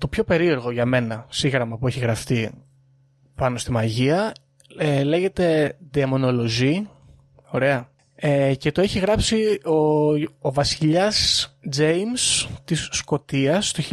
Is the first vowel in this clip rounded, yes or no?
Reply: yes